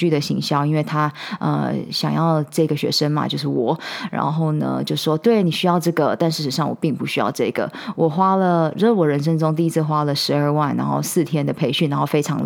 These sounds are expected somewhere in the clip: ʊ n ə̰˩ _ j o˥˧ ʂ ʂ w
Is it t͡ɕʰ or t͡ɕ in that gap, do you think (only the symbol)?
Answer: t͡ɕ